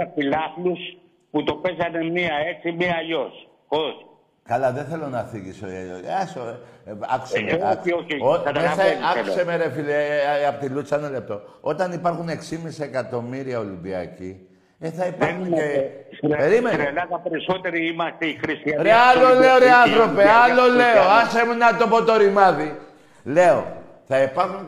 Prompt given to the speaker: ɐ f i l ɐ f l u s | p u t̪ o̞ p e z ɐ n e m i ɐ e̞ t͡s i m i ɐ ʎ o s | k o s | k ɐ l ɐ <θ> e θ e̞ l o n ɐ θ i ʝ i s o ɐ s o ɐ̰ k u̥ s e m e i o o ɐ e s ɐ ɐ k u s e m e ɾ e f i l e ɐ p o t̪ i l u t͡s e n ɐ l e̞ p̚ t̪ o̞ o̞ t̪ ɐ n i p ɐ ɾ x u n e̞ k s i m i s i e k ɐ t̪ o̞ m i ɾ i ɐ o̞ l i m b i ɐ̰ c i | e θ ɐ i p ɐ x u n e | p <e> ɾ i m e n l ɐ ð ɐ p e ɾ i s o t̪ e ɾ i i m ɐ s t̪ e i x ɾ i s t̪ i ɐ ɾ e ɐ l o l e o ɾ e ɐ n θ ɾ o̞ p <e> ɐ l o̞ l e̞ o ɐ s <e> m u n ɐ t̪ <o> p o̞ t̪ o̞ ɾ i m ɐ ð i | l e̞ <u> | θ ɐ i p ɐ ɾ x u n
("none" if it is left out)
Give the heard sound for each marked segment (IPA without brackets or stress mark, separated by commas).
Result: ð, e, e, e, o, o